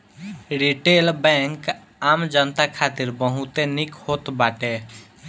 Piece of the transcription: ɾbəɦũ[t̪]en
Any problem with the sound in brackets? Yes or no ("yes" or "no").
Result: no